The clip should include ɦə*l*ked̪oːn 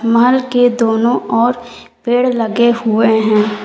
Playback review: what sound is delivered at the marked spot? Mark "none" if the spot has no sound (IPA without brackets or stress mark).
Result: l